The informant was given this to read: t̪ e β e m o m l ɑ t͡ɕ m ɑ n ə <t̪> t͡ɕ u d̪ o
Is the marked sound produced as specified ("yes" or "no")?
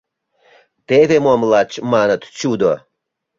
yes